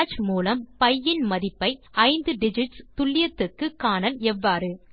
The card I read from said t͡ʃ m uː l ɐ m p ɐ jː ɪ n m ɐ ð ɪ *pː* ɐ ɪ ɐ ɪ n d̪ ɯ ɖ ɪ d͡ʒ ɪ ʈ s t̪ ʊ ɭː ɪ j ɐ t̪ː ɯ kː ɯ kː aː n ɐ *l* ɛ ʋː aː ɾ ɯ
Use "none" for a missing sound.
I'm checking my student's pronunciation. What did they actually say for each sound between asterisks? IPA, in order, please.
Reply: pː, l

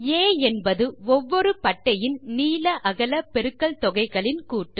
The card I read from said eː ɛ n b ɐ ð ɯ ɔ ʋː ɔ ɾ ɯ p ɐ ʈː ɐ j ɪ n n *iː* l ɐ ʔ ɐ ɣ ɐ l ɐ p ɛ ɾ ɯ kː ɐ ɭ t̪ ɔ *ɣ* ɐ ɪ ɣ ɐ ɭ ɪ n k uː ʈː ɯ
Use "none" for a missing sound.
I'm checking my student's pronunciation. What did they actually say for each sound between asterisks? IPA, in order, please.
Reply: iː, ɣ

